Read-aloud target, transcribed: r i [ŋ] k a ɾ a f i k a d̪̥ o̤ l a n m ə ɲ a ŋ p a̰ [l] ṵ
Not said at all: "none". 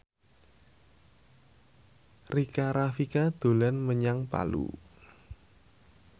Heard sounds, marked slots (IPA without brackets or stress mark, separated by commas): none, l